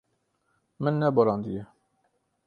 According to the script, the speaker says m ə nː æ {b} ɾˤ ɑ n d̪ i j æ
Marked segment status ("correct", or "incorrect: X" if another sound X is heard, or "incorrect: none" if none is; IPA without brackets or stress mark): correct